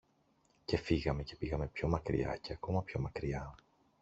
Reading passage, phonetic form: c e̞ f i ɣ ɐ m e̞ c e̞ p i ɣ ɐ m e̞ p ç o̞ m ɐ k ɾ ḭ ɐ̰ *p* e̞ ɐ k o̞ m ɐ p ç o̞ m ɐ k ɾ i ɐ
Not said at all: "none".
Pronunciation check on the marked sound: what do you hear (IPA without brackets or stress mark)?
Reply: c